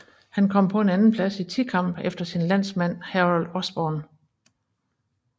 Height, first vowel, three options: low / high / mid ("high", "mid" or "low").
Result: low